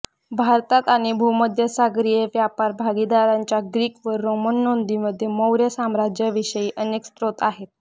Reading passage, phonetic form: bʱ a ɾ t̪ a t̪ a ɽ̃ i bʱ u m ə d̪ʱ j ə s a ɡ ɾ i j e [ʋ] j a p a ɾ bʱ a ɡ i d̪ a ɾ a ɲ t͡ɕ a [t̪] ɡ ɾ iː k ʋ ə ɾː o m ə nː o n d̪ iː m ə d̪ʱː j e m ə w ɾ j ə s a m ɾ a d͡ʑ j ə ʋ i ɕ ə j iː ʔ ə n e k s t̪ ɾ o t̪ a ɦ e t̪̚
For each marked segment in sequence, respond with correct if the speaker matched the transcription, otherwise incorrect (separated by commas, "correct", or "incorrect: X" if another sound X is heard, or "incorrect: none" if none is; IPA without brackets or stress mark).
correct, incorrect: none